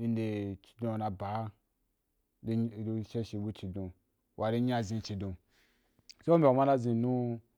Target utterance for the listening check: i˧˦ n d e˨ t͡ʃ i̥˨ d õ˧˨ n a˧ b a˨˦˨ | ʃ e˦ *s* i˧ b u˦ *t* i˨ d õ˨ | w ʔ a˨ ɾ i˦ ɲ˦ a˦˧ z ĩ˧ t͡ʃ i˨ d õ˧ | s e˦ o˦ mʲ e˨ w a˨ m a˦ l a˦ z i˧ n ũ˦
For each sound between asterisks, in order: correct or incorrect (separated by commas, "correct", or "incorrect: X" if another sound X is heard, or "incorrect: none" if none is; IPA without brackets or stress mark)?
incorrect: ʃ, incorrect: t͡ʃ